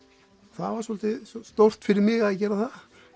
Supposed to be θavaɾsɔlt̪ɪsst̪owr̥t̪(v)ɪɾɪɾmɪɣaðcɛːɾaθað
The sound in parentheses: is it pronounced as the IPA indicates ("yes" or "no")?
no